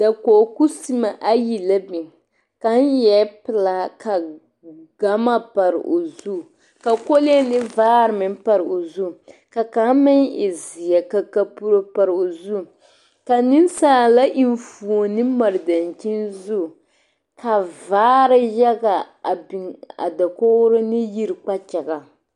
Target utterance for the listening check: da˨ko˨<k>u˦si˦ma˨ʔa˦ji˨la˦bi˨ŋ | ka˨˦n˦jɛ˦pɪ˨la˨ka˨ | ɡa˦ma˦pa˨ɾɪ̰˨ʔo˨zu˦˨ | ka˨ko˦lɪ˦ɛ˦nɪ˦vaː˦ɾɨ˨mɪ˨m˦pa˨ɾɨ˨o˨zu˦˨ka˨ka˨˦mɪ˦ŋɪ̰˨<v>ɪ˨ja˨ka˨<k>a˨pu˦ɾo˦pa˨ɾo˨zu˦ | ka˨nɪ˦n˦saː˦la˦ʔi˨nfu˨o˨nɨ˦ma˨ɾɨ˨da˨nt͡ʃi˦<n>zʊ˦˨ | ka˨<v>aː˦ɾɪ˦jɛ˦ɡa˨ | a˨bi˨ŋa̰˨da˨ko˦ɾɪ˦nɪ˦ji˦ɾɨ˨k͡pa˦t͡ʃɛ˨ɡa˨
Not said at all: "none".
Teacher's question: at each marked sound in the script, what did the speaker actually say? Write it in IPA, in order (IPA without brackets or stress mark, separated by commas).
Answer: k, z, k, n, v